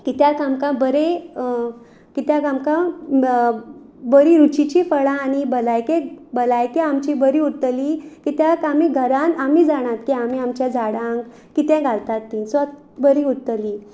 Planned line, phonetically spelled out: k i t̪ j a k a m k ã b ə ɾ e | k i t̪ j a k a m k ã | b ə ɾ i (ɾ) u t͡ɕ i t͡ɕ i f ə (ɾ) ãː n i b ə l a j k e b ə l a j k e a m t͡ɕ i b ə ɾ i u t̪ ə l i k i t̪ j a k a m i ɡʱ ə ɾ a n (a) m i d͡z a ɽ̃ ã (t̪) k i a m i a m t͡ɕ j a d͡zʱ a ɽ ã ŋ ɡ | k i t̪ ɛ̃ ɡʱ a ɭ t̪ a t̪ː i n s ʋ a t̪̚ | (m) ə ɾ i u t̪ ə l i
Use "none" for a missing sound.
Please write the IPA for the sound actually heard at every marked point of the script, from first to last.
ɾ, ɭ, a, t̪, b

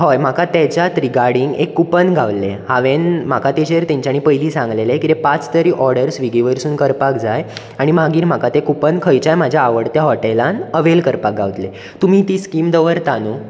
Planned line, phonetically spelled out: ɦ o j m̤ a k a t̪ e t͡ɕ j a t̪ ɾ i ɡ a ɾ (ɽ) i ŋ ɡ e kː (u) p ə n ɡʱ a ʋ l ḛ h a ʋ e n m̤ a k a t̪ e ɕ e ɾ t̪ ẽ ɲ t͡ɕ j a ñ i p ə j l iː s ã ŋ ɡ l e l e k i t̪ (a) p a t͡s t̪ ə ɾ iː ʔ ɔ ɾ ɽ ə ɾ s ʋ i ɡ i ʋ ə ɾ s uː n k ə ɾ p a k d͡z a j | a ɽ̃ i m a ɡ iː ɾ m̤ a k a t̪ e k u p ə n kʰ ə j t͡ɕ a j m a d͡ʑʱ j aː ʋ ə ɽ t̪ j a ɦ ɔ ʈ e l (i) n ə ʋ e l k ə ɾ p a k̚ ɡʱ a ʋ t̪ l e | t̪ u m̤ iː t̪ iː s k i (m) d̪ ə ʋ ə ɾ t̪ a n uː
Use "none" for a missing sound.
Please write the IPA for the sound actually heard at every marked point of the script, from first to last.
ɽ, u, e, a, m

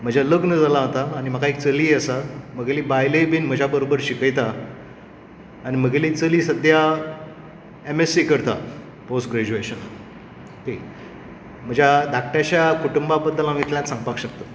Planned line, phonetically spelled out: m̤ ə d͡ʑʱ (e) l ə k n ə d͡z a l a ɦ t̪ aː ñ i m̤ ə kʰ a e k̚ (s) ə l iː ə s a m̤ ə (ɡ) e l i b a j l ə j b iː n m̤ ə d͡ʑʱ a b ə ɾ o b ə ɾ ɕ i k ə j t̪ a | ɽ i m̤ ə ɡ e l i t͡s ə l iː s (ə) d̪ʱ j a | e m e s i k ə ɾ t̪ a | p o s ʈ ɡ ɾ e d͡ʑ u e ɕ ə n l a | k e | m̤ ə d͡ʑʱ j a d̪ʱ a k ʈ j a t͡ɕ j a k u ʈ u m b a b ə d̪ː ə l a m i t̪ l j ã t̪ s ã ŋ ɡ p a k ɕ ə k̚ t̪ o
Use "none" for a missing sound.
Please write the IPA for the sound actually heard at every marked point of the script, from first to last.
a, t͡s, ɡ, ə

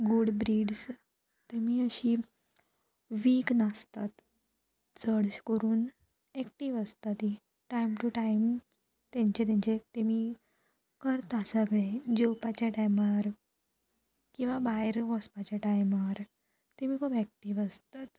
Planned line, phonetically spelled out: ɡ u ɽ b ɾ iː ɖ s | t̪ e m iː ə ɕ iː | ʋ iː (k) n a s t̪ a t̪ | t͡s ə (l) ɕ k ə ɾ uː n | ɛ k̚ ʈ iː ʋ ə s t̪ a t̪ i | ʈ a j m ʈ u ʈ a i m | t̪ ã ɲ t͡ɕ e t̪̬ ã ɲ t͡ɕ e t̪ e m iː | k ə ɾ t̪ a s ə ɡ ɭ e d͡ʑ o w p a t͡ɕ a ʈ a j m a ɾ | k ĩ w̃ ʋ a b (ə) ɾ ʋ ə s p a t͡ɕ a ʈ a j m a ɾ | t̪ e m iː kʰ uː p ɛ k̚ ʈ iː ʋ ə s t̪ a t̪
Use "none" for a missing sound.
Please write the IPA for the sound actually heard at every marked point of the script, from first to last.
k, ɽ, a

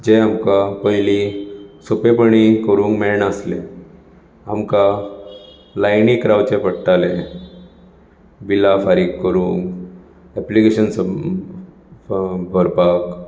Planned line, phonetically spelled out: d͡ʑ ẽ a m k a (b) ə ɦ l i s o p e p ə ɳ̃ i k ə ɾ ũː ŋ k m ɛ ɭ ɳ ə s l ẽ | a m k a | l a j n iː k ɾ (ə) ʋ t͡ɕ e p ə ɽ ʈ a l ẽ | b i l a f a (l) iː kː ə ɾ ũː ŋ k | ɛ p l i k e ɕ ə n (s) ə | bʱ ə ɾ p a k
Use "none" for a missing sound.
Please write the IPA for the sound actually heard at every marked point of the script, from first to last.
p, a, ɾ, s

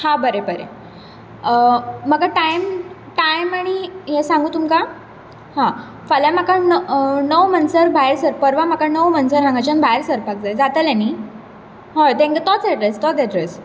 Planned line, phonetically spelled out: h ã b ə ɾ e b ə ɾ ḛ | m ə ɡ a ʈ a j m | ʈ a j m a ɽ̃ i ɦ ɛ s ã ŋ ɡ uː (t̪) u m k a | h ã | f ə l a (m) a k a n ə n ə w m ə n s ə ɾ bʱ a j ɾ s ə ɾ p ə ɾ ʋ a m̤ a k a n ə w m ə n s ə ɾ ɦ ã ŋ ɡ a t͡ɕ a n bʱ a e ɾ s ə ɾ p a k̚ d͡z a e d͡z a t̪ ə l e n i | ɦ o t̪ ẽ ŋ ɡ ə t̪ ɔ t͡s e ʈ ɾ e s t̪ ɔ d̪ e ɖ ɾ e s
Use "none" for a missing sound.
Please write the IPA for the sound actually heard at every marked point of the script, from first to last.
t̪, m

